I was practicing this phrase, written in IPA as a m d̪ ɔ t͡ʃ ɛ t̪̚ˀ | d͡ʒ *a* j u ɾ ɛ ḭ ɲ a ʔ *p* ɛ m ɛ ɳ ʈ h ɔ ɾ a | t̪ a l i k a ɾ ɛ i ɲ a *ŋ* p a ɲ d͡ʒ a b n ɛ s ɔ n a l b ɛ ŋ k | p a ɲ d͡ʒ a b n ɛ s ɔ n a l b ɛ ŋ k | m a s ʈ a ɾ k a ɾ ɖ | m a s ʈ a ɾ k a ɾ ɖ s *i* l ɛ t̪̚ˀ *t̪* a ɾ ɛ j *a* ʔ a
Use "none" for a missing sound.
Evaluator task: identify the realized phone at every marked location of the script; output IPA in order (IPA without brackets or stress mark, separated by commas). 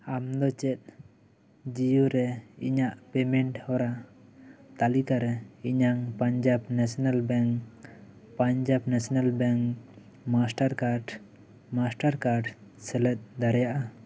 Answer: i, p, ŋ, ɛ, d̪, a